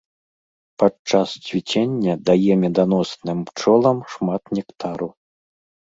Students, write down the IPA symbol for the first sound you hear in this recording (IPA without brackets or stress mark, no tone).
p